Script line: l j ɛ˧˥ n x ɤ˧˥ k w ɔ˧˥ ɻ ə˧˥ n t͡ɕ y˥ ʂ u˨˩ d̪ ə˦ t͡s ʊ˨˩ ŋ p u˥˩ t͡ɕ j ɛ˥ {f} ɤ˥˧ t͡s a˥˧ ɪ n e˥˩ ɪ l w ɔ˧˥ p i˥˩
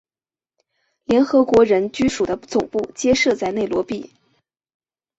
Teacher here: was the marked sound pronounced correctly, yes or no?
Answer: no